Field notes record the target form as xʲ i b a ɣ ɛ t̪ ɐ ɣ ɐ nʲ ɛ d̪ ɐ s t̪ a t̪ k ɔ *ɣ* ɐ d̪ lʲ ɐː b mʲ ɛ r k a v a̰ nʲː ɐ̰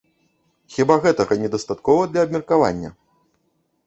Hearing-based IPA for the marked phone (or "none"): v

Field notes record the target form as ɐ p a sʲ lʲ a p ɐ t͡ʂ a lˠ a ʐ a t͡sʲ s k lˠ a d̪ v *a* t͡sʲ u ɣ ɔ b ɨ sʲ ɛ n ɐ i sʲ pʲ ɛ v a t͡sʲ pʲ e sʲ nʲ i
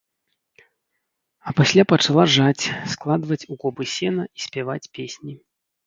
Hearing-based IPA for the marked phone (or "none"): ɐ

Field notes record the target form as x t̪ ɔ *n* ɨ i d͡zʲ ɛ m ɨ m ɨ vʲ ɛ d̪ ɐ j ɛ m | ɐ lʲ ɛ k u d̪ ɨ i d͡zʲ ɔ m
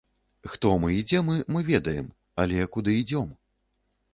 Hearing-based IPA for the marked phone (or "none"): m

